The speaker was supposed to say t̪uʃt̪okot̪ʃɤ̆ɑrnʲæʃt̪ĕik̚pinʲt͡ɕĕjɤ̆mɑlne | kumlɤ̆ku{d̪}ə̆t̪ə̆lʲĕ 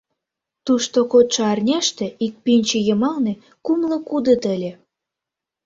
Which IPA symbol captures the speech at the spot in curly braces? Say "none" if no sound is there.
d̪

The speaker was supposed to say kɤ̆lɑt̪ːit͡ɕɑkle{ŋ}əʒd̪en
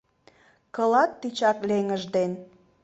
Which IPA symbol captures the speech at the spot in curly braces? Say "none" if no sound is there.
ŋ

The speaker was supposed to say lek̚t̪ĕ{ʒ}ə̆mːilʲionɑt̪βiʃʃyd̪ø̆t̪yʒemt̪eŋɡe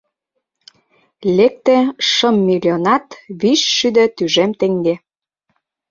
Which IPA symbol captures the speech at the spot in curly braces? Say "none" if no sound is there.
ʃ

